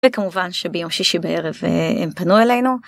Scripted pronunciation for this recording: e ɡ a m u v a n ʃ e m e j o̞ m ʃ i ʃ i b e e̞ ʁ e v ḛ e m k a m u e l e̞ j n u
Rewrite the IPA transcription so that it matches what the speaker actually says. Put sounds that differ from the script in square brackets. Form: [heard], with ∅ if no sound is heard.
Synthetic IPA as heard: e [k] a m u v a n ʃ e [b] e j o̞ m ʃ i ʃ i b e e̞ ʁ e v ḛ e m [p] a [n] u e l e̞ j n u